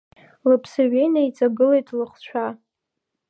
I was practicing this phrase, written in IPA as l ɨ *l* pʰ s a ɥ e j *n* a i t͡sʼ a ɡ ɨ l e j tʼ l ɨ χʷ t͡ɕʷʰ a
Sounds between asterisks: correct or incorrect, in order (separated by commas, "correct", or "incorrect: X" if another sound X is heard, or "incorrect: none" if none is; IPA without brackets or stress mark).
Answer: incorrect: none, correct